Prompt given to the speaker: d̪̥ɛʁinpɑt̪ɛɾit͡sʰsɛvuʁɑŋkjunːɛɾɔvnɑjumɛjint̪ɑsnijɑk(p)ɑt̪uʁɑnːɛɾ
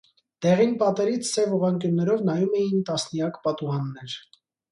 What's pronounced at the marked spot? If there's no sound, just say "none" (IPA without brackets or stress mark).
p